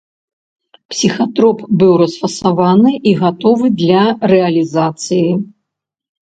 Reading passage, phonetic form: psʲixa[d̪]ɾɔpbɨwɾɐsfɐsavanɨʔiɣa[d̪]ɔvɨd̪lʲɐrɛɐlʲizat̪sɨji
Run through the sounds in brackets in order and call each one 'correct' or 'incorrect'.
incorrect: t̪, incorrect: t̪

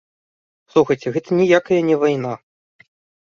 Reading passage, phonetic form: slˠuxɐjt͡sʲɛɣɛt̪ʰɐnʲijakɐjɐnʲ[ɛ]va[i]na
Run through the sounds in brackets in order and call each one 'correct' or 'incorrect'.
correct, incorrect: j

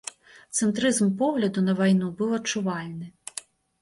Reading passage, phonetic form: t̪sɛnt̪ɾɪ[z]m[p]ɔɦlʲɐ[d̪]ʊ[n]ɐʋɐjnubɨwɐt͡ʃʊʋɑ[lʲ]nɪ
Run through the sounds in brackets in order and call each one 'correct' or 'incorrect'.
correct, correct, correct, correct, correct

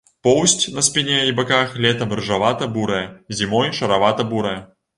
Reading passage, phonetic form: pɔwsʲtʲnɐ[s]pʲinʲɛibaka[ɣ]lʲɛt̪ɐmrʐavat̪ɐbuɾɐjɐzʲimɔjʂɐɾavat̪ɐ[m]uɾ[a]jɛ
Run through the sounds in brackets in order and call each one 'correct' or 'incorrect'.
correct, incorrect: x, incorrect: b, incorrect: ɐ

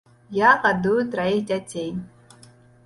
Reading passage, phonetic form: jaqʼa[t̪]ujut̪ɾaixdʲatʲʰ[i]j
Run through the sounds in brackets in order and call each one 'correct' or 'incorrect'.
incorrect: d̪, incorrect: e

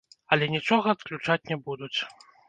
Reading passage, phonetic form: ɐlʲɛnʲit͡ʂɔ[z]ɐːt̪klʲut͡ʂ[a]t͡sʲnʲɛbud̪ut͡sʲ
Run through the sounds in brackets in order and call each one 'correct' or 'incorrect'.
incorrect: ɣ, correct

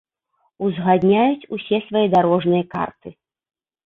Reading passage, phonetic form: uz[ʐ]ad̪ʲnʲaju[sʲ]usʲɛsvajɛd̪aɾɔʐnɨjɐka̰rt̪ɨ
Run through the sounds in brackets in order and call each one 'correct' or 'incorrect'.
incorrect: ɣ, incorrect: t͡sʲ

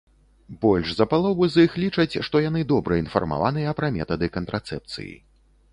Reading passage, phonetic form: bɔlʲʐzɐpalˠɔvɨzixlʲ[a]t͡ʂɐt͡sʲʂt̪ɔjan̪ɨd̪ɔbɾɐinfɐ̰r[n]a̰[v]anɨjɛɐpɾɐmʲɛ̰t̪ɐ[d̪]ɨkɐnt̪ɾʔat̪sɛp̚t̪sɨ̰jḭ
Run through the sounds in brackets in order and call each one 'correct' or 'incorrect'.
incorrect: i, incorrect: m, correct, correct

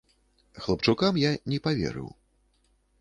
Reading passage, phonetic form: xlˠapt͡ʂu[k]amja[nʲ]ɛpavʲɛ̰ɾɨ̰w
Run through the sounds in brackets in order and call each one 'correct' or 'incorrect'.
correct, correct

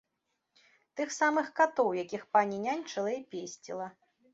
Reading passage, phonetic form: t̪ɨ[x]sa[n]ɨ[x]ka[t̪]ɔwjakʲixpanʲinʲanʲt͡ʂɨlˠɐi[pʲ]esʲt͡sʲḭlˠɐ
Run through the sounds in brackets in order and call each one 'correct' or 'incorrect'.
correct, incorrect: m, correct, correct, correct

